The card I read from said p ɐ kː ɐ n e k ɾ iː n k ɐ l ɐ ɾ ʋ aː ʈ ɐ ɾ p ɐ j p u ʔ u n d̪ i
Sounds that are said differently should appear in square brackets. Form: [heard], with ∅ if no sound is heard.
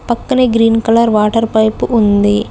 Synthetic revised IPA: p ɐ kː ɐ n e [ɡ] ɾ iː n k ɐ l ɐ ɾ ʋ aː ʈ ɐ ɾ p ɐ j p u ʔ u n d̪ i